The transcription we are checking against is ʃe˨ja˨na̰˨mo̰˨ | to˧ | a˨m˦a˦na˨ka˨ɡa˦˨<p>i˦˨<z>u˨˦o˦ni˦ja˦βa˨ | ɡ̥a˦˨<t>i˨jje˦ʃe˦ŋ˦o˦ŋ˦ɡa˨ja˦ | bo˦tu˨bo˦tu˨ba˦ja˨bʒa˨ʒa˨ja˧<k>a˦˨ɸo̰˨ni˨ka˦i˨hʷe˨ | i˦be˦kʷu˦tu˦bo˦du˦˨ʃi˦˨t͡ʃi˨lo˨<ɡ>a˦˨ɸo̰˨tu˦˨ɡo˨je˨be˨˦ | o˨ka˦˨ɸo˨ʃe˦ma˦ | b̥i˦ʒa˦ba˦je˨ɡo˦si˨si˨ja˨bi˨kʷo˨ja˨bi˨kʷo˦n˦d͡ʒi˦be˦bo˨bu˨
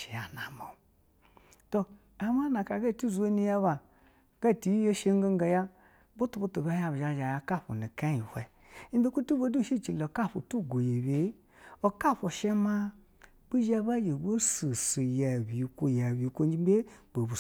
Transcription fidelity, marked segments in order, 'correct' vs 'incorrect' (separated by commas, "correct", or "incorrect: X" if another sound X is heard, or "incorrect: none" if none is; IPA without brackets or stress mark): incorrect: t, correct, correct, correct, incorrect: k